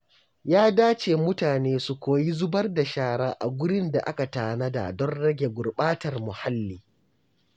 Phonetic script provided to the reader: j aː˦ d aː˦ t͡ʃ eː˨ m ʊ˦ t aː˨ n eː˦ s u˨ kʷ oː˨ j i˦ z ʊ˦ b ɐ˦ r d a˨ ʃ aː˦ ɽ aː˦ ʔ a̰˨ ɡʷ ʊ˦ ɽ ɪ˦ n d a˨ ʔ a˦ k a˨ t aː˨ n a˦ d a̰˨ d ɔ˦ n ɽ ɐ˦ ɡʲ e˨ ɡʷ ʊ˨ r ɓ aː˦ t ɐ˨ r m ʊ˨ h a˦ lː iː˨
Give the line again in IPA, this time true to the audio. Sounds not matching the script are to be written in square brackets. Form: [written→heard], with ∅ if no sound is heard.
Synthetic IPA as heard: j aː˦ d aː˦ t͡ʃ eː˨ m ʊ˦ t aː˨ n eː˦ s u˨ kʷ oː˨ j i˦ z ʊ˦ b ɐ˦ r d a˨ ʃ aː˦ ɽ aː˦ ʔ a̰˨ ɡʷ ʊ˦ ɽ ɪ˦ n d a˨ ʔ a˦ k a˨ t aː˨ n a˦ d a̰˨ d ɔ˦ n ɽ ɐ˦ ɡʲ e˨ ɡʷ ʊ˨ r ɓ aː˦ t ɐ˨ r m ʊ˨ h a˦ lː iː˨